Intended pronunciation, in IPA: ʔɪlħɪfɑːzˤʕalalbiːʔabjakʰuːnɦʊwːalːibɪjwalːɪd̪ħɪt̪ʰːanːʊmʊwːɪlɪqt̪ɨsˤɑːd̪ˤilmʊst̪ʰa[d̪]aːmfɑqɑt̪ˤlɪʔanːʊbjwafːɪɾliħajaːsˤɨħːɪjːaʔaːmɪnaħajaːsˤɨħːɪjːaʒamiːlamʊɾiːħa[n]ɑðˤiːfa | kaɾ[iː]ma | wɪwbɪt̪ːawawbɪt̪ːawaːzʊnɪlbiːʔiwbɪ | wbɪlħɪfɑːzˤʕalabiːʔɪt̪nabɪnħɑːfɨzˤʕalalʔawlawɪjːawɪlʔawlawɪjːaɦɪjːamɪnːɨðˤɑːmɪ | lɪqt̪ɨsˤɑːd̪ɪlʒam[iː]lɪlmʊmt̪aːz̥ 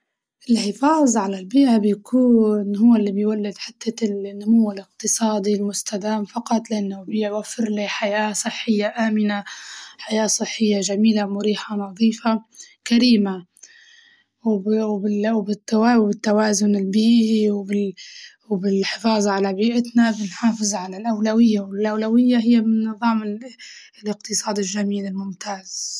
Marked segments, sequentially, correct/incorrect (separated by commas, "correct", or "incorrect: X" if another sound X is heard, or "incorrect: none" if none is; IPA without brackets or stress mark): correct, correct, correct, correct